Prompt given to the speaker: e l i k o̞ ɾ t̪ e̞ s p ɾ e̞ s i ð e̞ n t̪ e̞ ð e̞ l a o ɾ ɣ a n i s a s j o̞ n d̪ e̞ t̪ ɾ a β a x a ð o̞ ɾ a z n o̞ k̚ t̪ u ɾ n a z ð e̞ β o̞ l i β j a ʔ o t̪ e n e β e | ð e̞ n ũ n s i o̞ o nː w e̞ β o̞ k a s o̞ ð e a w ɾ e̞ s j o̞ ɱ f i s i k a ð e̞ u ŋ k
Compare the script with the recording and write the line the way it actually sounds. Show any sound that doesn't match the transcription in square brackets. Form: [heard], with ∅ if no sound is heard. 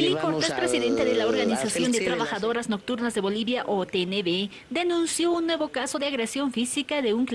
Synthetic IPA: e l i k o̞ ɾ t̪ e̞ s p ɾ e̞ s i ð e̞ n t̪ e̞ ð e̞ l a o ɾ ɣ a n i s a s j o̞ n d̪ e̞ t̪ ɾ a β a x a ð o̞ ɾ a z n o̞ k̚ t̪ u ɾ n a z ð e̞ β o̞ l i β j a ʔ o t̪ e n e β e | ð e̞ n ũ n s [j] o̞ [u] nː w e̞ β o̞ k a s o̞ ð e a [ɣ] ɾ e̞ s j o̞ ɱ f i s i k a ð e̞ u ŋ k